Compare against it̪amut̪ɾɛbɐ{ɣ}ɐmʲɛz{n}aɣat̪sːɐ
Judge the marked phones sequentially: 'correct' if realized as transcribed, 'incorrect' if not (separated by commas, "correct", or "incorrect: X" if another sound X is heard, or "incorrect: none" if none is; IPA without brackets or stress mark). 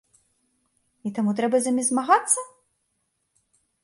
incorrect: z, incorrect: m